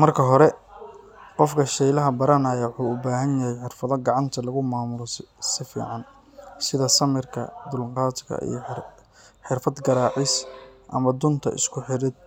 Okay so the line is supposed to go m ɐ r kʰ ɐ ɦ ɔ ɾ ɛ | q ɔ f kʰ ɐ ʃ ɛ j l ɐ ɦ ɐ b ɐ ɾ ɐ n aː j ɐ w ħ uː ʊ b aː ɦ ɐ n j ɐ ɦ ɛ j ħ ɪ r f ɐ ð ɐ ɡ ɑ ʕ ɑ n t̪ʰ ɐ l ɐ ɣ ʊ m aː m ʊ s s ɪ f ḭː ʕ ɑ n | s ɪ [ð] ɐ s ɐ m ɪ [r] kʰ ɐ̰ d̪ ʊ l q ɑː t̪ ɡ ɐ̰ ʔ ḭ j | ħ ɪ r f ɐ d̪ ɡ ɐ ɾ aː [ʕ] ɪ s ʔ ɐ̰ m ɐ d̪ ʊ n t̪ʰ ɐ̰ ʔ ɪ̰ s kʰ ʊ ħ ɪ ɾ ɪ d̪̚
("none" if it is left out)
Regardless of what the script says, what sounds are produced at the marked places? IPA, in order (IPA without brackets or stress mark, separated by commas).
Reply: ð, r, ʕ